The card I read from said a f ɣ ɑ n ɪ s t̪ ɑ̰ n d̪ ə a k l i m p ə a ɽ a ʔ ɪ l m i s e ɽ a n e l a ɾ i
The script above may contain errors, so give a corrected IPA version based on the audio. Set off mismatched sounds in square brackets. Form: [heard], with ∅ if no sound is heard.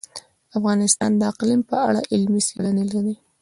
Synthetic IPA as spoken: a f ɣ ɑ n ɪ s t̪ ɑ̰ n d̪ ə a [q] l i m p ə a ɽ a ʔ ɪ l m i s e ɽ a n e l a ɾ i